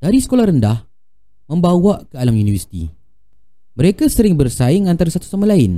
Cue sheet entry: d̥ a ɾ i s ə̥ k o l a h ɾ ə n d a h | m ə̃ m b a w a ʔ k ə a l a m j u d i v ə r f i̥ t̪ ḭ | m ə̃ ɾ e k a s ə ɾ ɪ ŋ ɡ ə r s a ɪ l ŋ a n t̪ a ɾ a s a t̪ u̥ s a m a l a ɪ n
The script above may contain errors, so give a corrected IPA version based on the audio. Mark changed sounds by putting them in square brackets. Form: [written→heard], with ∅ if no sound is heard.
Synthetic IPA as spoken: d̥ a ɾ i s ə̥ k o l a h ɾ ə n d a h | m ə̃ m b a w a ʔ k ə a l a m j u [d→n] i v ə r [f→s] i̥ t̪ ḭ | m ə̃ ɾ e k a s ə ɾ ɪ ŋ [ɡ→b] ə r s a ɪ [l→∅] ŋ a n t̪ a ɾ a s a t̪ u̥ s a m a l a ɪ n